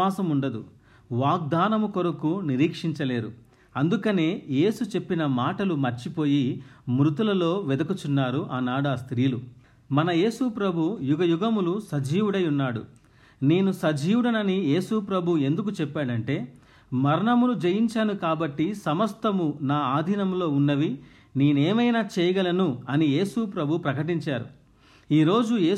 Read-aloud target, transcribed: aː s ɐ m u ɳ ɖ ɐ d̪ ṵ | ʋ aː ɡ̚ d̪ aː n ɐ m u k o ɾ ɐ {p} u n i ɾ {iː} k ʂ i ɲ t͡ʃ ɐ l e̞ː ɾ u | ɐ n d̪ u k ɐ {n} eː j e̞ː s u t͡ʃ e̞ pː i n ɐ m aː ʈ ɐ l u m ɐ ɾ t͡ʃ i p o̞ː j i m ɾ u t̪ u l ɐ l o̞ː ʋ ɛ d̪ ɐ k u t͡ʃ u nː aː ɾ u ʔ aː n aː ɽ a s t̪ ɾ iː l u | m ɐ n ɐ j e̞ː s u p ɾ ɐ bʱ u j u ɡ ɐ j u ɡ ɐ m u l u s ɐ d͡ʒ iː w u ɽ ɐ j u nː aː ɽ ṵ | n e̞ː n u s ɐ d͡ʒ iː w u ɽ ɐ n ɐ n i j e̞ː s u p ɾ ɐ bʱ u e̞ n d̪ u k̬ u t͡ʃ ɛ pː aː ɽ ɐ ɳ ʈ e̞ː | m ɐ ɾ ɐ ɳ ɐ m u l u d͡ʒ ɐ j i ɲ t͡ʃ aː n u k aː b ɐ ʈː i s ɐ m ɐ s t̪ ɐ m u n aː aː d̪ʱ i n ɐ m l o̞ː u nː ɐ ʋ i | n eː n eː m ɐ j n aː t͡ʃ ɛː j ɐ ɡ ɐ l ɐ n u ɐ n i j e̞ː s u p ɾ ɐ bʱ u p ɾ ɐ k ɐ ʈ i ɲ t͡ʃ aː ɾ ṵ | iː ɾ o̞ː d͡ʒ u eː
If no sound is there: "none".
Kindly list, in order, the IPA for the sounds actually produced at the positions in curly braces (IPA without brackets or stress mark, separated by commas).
k, iː, n